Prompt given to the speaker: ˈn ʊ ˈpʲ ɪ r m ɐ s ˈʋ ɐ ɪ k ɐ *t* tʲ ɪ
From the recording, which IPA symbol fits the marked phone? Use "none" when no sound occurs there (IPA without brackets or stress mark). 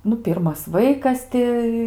s